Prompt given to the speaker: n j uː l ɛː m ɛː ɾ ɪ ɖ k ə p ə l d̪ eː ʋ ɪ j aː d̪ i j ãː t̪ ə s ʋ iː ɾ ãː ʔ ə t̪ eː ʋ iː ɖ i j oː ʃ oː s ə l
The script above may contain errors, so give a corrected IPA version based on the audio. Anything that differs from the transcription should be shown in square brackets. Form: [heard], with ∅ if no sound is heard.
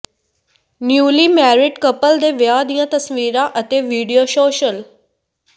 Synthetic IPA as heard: n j uː l [iː] m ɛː ɾ ɪ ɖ k ə p ə l d̪ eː ʋ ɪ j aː d̪ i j ãː t̪ ə s ʋ iː ɾ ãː ʔ ə t̪ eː ʋ iː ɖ i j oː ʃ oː [ʃ] ə l